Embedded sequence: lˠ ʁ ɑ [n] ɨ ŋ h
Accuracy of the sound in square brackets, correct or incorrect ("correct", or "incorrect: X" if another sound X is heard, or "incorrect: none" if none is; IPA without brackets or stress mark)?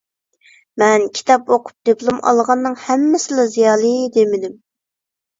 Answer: incorrect: nː